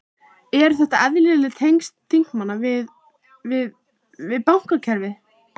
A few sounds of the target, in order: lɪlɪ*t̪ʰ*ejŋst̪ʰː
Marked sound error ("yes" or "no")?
no